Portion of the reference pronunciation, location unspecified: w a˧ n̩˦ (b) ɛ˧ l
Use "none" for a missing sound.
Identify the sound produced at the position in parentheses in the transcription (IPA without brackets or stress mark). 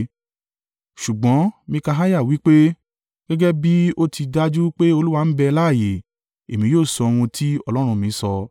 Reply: b